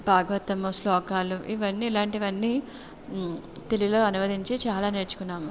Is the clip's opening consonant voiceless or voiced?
voiced